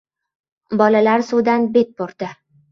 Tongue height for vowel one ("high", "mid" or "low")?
low